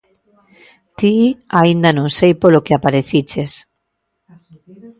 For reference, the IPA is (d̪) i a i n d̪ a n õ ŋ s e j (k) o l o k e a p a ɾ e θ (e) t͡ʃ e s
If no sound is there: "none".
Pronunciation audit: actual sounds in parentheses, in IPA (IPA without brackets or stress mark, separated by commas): t̪, p, i